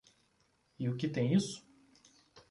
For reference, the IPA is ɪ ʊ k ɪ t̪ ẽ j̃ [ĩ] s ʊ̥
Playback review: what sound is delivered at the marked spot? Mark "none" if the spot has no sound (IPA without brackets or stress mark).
i